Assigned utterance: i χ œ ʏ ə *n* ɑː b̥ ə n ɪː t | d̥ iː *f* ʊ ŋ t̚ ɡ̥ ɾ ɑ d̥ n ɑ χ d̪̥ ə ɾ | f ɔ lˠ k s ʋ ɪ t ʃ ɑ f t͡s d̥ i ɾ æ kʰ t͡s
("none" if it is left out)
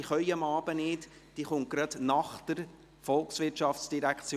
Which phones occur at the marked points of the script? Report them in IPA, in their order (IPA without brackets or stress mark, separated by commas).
m, χ